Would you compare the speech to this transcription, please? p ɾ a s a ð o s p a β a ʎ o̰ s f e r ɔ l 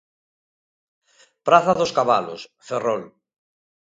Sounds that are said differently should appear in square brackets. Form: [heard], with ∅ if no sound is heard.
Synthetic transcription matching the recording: p ɾ a [θ] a ð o s [k] a β a [l] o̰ s f e r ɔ l